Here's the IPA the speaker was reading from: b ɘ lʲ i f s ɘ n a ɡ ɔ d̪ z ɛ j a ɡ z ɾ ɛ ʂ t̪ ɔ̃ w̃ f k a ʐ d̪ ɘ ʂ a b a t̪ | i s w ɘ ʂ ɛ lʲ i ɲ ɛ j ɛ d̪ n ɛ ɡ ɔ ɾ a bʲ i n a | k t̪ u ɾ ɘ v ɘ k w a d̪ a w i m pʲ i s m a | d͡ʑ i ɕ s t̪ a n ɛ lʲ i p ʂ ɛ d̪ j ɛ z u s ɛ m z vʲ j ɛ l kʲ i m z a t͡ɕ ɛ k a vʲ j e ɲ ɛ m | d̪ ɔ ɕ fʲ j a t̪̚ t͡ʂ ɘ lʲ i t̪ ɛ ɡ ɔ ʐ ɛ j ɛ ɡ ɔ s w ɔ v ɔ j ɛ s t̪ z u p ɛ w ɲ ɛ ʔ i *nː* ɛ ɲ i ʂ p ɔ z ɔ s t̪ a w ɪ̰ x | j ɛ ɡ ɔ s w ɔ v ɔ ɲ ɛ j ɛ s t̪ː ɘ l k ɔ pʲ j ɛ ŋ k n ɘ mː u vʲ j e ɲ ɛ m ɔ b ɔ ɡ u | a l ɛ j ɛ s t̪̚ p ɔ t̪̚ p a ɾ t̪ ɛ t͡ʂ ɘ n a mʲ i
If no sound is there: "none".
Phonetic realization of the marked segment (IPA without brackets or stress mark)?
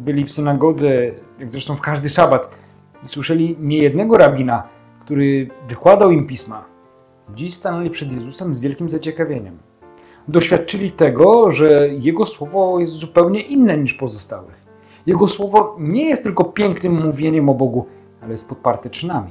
nː